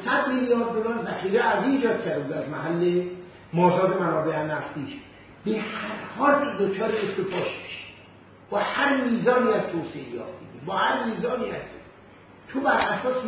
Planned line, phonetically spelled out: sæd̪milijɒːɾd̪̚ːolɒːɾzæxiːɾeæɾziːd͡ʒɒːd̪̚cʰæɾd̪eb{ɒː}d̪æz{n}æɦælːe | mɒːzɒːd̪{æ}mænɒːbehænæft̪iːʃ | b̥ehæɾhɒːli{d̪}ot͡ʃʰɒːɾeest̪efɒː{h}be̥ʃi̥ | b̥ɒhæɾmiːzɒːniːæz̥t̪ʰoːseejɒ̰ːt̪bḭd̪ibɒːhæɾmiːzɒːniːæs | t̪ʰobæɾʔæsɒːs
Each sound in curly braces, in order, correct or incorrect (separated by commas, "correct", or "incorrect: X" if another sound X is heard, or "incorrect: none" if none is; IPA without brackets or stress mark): incorrect: uː, incorrect: m, incorrect: e, correct, incorrect: ʃ